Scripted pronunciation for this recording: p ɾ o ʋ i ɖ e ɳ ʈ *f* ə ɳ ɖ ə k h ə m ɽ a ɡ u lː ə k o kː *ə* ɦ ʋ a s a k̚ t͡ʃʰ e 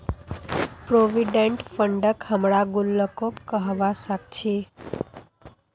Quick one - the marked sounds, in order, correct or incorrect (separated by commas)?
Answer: correct, correct